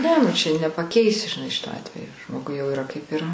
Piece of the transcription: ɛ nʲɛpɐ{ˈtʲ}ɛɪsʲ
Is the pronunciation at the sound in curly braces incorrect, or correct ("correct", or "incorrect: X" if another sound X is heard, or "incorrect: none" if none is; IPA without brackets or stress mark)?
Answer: incorrect: kʲ